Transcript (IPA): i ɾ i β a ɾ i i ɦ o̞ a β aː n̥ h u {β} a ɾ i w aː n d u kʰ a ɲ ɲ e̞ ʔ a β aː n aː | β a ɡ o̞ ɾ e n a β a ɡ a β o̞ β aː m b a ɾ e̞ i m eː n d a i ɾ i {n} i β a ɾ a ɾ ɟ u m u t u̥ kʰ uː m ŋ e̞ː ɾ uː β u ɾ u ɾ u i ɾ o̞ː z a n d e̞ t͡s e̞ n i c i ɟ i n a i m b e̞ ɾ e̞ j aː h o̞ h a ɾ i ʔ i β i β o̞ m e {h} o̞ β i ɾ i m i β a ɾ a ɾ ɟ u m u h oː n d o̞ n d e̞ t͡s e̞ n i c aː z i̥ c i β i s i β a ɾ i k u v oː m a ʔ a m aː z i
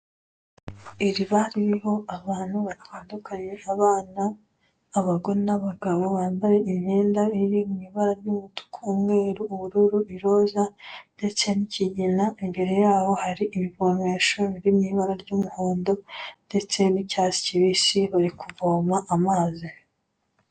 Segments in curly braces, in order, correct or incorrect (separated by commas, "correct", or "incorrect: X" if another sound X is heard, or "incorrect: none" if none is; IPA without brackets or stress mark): correct, incorrect: m, incorrect: ʃ